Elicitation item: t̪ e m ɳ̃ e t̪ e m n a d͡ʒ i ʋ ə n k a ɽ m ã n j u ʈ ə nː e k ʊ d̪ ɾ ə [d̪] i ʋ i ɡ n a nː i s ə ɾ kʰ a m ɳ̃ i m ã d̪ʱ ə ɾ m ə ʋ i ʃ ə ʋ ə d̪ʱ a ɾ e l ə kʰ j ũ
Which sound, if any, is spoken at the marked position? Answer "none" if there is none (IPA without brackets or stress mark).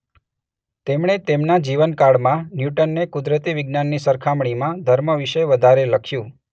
t̪